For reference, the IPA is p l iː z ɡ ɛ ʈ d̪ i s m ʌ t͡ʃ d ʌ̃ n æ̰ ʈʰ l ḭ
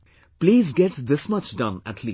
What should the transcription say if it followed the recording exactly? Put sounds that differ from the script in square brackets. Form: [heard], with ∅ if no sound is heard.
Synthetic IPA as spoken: p l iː z ɡ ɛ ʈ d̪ [ɪ] s m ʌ t͡ʃ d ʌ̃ n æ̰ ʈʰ l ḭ